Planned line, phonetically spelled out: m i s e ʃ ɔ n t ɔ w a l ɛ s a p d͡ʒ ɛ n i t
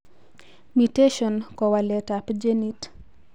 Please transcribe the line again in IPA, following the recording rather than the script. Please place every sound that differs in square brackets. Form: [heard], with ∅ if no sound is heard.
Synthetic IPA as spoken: m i [t] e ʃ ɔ n [k] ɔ w a l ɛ [t] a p d͡ʒ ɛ n i t